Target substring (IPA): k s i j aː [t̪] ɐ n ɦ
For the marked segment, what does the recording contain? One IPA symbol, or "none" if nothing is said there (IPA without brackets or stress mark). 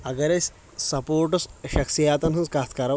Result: t̪